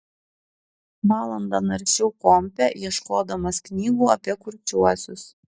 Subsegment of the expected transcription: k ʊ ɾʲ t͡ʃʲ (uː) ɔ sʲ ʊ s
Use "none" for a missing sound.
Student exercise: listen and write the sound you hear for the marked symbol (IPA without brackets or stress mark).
u